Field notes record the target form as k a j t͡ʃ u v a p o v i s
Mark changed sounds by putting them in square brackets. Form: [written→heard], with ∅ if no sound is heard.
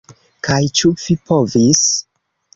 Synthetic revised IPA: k a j t͡ʃ u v [a→i] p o v i s